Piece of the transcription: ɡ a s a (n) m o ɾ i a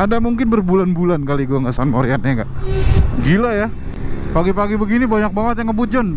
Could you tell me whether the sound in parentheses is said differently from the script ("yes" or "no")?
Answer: no